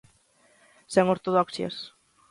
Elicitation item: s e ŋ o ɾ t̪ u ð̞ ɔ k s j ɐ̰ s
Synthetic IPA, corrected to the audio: s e ŋ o ɾ t̪ o ð̞ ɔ k s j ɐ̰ s